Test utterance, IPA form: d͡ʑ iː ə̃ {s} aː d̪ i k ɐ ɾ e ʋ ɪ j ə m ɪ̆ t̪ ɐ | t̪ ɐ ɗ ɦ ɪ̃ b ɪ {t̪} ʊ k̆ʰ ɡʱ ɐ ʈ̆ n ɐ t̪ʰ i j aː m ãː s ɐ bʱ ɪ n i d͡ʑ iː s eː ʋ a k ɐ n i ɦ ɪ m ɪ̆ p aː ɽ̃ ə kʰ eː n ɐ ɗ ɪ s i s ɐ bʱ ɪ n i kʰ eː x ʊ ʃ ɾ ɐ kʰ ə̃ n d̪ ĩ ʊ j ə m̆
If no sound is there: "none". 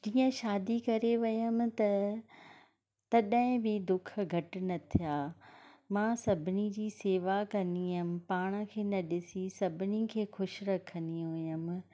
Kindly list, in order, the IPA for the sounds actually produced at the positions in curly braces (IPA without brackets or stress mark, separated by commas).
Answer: ʃ, d̪